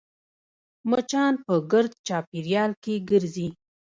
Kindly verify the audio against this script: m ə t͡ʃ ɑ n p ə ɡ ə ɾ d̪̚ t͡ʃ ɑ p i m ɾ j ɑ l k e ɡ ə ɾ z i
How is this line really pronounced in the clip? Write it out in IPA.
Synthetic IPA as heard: m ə t͡ʃ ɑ n p ə ɡ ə ɾ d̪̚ t͡ʃ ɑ p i ɾ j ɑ l k e ɡ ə ɾ z i